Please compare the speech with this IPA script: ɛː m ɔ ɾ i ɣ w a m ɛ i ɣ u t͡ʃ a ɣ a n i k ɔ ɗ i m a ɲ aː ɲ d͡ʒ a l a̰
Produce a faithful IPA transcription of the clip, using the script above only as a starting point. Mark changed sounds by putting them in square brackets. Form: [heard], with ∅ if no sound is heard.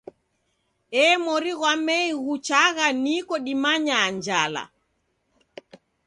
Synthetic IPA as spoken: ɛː m ɔ ɾ i ɣ w a m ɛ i ɣ u t͡ʃ a ɣ a n i k ɔ ɗ i m a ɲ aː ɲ d͡ʒ a l a̰

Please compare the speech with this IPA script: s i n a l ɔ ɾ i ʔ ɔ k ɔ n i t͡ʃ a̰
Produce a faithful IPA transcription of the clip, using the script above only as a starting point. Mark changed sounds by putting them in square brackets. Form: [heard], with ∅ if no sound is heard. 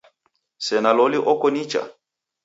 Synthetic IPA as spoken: s [ɛ] n a l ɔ [l] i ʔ ɔ k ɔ n i t͡ʃ a̰

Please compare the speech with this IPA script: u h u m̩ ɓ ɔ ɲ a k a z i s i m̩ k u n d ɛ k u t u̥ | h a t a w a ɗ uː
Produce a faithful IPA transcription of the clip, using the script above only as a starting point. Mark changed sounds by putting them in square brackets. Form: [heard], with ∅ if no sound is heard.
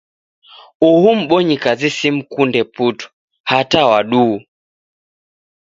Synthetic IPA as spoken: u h u m̩ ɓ ɔ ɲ [i] k a z i s i m̩ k u n d ɛ [p] u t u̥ | h a t a w a ɗ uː

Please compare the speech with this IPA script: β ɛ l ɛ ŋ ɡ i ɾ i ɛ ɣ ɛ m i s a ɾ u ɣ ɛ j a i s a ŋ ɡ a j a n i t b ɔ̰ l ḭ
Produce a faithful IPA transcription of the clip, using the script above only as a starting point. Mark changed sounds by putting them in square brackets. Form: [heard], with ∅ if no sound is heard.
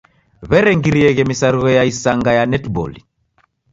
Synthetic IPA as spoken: β ɛ [ɾ] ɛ ŋ ɡ i ɾ i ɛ ɣ ɛ m i s a ɾ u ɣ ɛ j a i s a ŋ ɡ a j a n [ɛ] t b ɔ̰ l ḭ

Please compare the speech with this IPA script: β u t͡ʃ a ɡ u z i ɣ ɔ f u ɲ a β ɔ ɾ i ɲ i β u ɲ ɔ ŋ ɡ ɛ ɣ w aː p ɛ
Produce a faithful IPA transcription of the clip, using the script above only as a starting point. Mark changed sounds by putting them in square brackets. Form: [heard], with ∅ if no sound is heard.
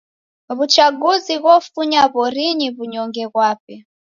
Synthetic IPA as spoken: β u t͡ʃ a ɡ u z i ɣ ɔ f u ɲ a β ɔ ɾ i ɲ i β u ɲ ɔ ŋ ɡ ɛ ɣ w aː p ɛ

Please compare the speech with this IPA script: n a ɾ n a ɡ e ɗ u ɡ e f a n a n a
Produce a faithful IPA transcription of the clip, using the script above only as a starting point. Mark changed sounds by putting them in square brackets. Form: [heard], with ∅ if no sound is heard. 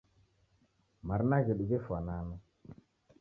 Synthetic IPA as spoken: [m] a ɾ n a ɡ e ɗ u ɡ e f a n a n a

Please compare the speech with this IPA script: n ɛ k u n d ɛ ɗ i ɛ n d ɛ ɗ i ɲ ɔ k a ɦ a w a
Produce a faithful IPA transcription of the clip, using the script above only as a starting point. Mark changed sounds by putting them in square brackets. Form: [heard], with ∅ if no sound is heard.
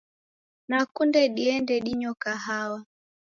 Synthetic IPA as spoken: n [a] k u n d ɛ ɗ i ɛ n d ɛ ɗ i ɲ ɔ k a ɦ a w a

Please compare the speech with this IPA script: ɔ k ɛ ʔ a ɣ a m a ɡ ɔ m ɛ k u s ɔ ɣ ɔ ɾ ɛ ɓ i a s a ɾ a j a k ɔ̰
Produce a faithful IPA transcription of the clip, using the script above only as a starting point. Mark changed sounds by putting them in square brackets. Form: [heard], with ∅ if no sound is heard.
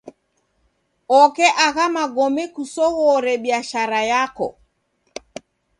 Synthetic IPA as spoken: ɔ k ɛ ʔ a ɣ a m a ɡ ɔ m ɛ k u s ɔ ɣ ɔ ɾ ɛ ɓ i a [ʃ] a ɾ a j a k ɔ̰

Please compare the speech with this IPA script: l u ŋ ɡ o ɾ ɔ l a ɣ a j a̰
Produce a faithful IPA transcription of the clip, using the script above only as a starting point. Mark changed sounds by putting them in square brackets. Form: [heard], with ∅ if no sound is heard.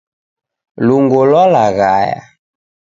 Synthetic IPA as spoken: l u ŋ ɡ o [l] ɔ l a ɣ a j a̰

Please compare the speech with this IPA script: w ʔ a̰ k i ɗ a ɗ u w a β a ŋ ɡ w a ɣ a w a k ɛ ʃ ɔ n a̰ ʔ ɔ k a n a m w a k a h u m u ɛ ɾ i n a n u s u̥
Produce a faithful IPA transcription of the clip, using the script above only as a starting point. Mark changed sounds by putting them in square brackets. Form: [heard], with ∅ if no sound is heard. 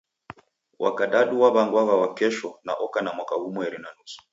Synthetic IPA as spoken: w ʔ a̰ k [a] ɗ a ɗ u w a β a ŋ ɡ w a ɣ a w a k ɛ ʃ ɔ n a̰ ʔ ɔ k a n a m w a k a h u m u ɛ ɾ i n a n u s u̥

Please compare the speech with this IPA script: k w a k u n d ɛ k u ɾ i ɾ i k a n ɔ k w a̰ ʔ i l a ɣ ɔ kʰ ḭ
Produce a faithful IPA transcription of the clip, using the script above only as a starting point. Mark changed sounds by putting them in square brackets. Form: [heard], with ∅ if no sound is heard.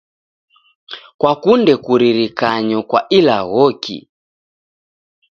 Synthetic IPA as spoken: k w a k u n d ɛ k u ɾ i ɾ i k a [ɲ] ɔ k w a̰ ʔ i l a ɣ ɔ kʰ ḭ

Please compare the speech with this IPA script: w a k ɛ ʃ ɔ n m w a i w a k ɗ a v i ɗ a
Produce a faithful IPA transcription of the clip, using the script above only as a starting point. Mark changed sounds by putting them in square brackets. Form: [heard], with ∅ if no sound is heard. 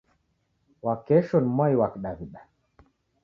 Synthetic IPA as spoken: w a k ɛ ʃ ɔ n m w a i w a k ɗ a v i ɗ a

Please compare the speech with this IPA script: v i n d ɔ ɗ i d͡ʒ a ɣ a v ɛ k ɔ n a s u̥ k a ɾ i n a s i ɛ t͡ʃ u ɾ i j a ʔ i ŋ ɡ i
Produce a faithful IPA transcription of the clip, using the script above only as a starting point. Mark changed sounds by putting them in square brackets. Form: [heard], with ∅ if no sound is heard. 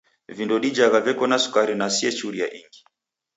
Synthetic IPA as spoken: v i n d ɔ ɗ i d͡ʒ a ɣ a v ɛ k ɔ n a s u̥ k a ɾ i n a s i ɛ t͡ʃ u ɾ i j a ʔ i ŋ ɡ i

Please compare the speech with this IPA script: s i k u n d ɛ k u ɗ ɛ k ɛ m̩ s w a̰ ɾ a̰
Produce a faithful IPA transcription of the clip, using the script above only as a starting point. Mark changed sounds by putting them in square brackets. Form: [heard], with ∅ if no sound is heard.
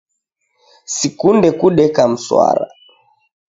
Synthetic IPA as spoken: s i k u n d ɛ k u ɗ ɛ k [a] m̩ s w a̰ ɾ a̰

